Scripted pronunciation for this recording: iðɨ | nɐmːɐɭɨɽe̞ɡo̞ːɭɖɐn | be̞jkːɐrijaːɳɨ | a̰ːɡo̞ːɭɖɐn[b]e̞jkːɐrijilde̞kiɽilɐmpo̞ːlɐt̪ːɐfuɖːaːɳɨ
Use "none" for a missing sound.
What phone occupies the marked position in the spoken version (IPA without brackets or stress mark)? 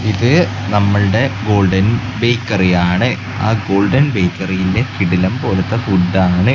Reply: b